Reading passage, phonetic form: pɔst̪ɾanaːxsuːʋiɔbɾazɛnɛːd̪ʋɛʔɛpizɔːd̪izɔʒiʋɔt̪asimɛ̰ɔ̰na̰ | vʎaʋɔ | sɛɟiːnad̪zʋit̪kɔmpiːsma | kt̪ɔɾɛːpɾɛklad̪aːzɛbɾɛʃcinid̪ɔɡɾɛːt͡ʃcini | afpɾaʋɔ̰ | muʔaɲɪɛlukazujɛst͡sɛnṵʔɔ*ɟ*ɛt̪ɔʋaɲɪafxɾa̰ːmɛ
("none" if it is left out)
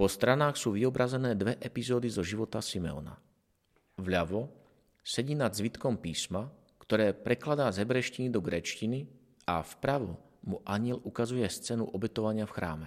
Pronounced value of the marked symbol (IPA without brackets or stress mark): b